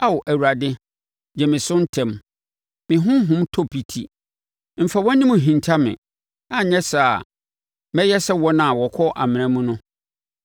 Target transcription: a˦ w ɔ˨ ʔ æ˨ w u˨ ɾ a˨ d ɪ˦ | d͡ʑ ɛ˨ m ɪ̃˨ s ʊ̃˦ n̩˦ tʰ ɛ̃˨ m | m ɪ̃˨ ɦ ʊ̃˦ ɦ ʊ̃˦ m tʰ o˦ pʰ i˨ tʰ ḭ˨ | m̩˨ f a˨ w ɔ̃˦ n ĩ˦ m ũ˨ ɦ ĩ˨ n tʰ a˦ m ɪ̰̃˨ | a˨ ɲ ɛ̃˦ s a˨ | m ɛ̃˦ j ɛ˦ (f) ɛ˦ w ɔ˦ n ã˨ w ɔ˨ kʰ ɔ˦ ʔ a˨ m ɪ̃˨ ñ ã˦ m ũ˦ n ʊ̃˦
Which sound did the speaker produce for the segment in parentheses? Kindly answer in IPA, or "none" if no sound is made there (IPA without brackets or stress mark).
s